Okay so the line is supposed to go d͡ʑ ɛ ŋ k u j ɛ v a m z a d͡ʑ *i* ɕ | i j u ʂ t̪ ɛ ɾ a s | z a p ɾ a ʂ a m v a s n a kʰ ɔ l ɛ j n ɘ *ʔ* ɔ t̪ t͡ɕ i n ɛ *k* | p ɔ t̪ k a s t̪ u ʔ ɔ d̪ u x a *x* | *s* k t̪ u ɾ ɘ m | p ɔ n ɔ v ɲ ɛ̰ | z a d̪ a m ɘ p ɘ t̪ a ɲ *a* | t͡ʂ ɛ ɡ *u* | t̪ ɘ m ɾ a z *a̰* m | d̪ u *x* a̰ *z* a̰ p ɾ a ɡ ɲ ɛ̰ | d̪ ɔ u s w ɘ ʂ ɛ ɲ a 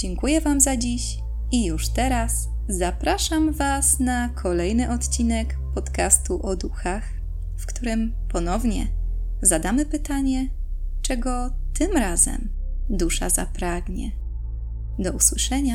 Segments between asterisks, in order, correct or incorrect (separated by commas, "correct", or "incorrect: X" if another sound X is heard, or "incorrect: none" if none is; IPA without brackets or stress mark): correct, correct, correct, correct, incorrect: f, incorrect: ɛ, incorrect: ɔ, incorrect: ɛ̰, incorrect: ʂ, correct